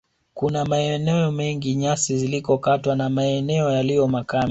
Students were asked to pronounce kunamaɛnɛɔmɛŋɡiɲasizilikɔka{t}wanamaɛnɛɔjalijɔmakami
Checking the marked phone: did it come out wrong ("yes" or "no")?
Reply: no